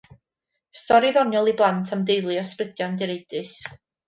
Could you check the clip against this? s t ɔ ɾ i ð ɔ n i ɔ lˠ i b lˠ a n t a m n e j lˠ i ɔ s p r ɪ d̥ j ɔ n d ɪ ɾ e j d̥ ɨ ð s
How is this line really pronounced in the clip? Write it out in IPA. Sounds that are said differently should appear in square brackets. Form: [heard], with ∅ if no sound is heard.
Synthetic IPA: s t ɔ ɾ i ð ɔ n [j] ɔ lˠ i b lˠ a n [tʰ] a m [d] e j lˠ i ɔ s p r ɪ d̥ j ɔ n d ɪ ɾ e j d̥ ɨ [∅] s